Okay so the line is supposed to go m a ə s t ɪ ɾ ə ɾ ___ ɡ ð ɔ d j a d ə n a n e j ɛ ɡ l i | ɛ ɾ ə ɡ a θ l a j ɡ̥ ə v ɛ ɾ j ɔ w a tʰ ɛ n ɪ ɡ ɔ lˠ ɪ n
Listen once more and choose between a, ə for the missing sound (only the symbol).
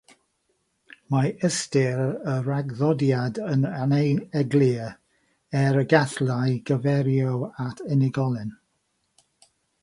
a